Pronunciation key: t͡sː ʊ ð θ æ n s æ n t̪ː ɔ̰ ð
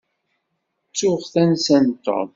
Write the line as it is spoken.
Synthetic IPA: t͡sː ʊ ʁ θ æ n s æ n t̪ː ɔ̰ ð